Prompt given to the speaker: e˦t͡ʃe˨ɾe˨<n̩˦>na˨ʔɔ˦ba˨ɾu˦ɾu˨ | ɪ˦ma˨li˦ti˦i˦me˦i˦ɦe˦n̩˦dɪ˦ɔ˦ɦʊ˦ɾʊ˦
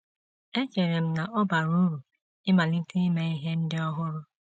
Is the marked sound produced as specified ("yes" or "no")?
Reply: no